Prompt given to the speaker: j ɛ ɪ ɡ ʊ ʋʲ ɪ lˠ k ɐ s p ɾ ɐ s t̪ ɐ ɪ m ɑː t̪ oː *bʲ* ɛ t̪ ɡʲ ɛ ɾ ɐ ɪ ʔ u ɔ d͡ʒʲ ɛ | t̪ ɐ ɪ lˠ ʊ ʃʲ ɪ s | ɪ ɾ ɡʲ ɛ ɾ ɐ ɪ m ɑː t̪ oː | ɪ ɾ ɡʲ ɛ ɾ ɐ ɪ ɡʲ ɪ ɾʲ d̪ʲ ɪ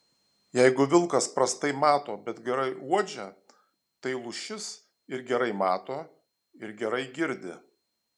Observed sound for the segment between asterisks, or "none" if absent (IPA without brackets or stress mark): bʲ